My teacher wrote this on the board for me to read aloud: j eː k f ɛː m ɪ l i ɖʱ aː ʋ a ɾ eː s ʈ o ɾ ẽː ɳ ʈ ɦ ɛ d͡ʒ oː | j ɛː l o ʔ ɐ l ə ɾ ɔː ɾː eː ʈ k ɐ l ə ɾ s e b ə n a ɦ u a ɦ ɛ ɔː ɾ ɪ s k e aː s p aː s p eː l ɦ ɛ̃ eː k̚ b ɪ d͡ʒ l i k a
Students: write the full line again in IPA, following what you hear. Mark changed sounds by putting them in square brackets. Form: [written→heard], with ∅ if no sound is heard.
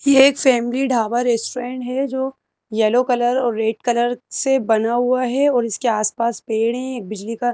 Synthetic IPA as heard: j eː k f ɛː m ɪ l i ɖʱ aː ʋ a ɾ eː s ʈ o ɾ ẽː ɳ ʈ ɦ ɛ d͡ʒ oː | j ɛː l o [ʔ→k] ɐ l ə ɾ ɔː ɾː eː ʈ k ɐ l ə ɾ s e b [ə→ɐ] n a ɦ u a ɦ ɛ ɔː ɾ ɪ s k e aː s p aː s p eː [l→ɽ] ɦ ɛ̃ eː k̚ b ɪ d͡ʒ l i k a